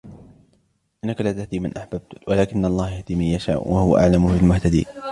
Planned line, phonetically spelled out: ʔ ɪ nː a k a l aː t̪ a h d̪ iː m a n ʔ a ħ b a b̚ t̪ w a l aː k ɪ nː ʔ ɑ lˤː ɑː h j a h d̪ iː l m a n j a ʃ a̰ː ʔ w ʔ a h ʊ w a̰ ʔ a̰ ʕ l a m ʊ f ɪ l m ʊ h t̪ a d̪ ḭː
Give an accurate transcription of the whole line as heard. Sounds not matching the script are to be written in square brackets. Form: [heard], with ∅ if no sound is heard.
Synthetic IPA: ʔ ɪ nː a k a l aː t̪ a h d̪ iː m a n ʔ a ħ b a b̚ t̪ w a l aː k ɪ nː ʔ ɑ lˤː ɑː h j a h d̪ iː [∅] m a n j a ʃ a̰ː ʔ w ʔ a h ʊ w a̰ ʔ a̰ ʕ l a m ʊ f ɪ l m ʊ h t̪ a d̪ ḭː